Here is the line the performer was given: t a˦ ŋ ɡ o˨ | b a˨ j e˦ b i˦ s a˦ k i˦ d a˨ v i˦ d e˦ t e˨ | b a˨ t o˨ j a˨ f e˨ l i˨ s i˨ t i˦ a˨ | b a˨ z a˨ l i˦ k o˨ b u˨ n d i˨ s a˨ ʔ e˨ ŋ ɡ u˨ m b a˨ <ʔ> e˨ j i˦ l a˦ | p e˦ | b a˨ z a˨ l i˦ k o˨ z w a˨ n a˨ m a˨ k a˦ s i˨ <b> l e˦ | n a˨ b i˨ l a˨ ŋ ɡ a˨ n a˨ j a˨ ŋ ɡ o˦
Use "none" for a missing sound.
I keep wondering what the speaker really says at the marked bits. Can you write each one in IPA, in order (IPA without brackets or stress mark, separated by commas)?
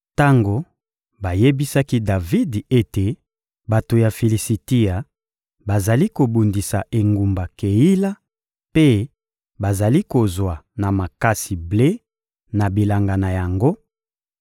k, b